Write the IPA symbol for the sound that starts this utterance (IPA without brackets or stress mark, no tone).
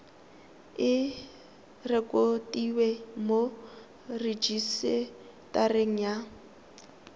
ɪ